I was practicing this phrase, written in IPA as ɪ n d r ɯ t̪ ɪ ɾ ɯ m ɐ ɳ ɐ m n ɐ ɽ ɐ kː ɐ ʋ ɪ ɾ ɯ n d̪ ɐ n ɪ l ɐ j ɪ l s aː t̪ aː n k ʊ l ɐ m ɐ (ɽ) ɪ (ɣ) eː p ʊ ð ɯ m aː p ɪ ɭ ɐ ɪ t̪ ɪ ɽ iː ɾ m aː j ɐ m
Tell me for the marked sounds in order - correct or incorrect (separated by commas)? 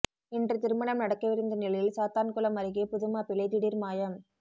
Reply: incorrect, correct